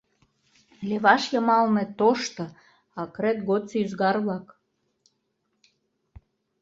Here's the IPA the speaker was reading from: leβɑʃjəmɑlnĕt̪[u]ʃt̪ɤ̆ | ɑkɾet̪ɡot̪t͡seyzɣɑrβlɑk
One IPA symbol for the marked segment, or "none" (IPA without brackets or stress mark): o